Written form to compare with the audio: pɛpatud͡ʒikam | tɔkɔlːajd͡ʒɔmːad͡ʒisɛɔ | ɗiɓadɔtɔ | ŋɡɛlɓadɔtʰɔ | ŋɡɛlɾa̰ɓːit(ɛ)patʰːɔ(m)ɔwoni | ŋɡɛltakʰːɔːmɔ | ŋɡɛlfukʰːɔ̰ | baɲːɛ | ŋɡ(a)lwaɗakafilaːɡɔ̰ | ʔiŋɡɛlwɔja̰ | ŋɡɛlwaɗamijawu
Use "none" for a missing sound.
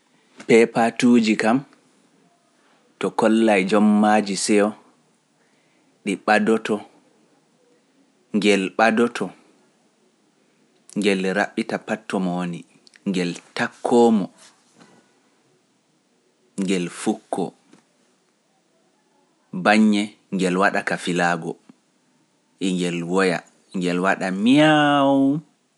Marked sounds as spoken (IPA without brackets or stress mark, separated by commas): a, m, ɛ